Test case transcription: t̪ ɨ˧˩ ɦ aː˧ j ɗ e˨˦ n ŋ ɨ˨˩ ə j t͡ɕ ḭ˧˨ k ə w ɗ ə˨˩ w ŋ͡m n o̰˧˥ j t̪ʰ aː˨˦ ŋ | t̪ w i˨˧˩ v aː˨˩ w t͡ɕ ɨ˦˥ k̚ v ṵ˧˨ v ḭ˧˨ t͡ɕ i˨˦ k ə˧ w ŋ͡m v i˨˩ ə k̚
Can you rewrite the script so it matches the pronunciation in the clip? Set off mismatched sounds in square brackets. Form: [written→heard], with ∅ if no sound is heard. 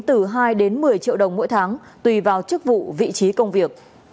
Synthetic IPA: t̪ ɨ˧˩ ɦ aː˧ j ɗ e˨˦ n [ŋ→m] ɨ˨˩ ə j t͡ɕ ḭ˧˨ [k→∅] ə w ɗ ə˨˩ w ŋ͡m [n→m] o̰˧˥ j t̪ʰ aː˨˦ ŋ | t̪ w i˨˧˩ v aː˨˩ w t͡ɕ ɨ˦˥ k̚ v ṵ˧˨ v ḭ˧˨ t͡ɕ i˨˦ k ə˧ w ŋ͡m v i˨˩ ə k̚